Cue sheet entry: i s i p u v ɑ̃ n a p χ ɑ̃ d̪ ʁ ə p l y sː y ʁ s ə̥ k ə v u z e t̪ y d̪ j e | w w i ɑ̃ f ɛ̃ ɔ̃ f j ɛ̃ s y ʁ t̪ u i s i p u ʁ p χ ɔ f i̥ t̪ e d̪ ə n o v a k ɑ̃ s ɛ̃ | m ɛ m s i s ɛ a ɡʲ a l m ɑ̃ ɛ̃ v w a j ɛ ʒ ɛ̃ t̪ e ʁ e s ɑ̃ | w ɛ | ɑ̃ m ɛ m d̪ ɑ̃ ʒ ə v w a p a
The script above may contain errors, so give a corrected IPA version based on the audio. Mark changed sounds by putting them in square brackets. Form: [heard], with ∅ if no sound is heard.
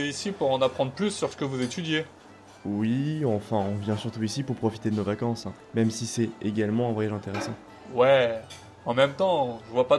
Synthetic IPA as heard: i s i p u [ʁ] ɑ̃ n a p χ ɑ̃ d̪ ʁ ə p l y sː y ʁ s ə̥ k ə v u z e t̪ y d̪ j e | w w i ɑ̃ f ɛ̃ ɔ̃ [v] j ɛ̃ s y ʁ t̪ u i s i p u ʁ p χ ɔ f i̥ t̪ e d̪ ə n o v a k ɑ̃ s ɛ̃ | m ɛ m s i s ɛ [e] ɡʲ a l m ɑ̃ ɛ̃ v w a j [a] ʒ ɛ̃ t̪ e ʁ e s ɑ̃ | w ɛ | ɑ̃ m ɛ m [t̪] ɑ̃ ʒ ə v w a p a